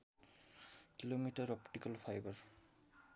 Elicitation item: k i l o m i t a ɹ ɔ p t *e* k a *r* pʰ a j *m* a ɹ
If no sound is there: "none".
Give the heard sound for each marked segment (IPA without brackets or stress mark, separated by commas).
i, l, b